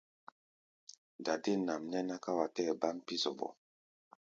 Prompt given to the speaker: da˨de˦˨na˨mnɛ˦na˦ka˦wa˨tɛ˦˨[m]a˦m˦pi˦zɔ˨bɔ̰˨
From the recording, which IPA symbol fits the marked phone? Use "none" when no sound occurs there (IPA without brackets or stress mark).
b